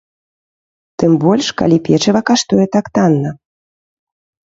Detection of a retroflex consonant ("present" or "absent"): present